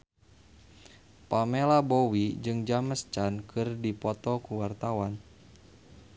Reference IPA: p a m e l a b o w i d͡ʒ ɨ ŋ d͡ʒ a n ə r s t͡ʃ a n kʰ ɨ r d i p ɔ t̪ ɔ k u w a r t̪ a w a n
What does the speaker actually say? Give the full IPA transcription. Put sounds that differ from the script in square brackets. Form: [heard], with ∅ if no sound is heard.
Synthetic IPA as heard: p a m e l a b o w i d͡ʒ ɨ ŋ d͡ʒ a [m] ə [∅] s t͡ʃ a n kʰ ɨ r d i p ɔ t̪ ɔ k u w a r t̪ a w a n